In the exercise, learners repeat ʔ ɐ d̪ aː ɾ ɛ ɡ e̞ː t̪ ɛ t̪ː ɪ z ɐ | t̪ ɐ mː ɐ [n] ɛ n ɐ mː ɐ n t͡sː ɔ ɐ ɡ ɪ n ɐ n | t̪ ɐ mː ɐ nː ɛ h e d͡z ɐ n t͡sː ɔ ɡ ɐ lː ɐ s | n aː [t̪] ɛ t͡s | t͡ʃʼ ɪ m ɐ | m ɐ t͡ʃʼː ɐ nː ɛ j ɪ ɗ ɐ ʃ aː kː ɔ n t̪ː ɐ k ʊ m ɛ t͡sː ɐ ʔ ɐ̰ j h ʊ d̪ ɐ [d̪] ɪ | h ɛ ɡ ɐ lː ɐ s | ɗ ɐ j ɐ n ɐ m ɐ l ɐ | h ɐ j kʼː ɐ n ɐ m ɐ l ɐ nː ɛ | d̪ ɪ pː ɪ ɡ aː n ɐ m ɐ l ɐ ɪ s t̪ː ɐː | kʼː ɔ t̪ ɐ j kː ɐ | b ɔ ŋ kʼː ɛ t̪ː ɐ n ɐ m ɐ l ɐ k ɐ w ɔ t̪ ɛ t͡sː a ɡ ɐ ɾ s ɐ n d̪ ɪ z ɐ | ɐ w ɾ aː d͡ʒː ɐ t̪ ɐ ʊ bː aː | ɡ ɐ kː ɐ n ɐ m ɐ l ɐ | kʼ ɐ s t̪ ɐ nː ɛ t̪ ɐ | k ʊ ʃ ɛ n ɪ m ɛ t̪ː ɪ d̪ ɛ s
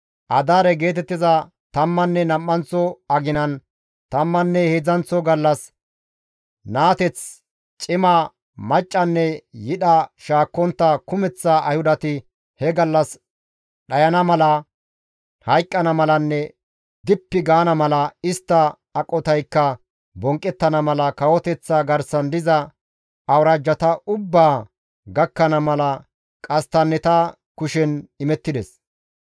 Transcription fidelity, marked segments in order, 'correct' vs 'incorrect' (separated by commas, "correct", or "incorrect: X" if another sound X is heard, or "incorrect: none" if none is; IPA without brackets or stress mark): incorrect: nː, correct, incorrect: t̪